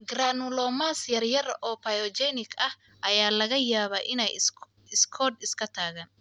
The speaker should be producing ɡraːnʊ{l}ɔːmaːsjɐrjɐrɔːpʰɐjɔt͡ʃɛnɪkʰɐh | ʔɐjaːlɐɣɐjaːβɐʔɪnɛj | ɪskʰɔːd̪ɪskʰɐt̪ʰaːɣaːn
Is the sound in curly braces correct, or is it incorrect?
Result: correct